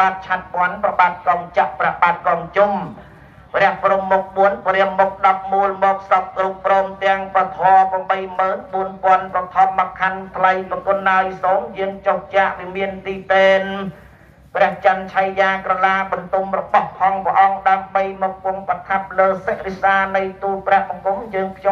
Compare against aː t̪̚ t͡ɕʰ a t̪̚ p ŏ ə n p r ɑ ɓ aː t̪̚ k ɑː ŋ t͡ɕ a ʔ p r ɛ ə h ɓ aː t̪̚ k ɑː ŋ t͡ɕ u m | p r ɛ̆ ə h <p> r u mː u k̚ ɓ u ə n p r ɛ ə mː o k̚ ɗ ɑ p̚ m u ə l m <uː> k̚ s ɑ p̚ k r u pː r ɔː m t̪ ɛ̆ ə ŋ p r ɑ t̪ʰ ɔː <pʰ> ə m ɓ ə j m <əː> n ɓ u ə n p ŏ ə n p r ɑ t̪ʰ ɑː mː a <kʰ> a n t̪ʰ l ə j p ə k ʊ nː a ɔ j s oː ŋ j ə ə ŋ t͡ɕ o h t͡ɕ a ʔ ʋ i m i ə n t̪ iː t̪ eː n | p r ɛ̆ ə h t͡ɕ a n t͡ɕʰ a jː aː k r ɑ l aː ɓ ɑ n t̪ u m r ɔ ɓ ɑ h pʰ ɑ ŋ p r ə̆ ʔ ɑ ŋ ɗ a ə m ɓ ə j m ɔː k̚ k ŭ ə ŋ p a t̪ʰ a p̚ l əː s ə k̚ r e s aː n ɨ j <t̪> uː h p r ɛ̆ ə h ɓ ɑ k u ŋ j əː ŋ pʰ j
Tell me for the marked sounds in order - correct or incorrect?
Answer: correct, incorrect, incorrect, correct, correct, correct

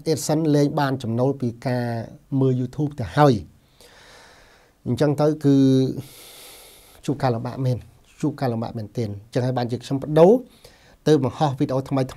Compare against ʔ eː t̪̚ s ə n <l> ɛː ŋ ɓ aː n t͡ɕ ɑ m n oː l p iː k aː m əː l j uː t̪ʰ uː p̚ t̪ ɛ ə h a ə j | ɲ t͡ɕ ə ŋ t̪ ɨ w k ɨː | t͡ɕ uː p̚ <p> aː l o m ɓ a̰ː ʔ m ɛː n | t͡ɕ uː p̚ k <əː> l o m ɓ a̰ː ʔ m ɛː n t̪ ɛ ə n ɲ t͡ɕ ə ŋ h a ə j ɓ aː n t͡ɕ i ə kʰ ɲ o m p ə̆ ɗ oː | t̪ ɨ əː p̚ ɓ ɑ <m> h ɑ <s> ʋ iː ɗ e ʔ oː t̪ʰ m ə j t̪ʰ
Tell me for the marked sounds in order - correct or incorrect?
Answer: correct, incorrect, incorrect, incorrect, incorrect

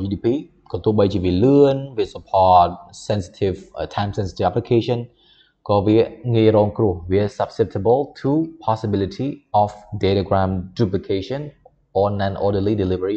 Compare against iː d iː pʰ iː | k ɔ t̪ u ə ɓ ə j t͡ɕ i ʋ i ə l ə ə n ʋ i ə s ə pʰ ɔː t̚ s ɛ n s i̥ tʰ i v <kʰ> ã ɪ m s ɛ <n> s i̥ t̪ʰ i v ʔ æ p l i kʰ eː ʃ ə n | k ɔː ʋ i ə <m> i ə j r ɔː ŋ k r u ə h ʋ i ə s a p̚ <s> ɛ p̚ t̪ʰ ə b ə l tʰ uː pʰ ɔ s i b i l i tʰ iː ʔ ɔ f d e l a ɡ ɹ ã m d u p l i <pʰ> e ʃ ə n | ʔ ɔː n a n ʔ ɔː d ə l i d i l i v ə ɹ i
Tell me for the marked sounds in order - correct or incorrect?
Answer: incorrect, correct, incorrect, correct, incorrect

